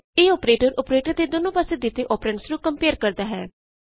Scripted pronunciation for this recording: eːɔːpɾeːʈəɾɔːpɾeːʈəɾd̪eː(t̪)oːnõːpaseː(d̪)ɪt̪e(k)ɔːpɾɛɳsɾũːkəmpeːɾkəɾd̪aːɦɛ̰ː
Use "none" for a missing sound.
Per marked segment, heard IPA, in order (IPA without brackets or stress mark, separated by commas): d̪, d̪, ʔ